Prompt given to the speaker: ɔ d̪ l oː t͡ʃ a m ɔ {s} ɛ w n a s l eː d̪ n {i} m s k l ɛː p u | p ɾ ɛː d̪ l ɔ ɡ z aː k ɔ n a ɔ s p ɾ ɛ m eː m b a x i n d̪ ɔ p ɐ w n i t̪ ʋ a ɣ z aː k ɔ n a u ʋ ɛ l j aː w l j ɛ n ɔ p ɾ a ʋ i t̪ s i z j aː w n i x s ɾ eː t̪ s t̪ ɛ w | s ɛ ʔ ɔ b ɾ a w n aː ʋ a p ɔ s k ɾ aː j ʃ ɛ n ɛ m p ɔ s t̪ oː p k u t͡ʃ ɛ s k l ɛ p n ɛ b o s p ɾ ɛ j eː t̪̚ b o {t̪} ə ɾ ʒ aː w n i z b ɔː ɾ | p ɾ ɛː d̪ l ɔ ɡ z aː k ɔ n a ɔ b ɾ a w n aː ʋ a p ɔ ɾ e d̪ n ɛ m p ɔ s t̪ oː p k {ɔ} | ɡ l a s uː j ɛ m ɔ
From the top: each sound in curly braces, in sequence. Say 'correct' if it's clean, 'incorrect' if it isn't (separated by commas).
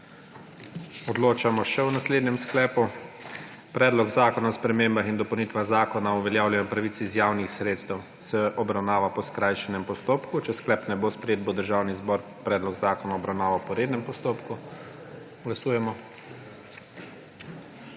incorrect, incorrect, incorrect, incorrect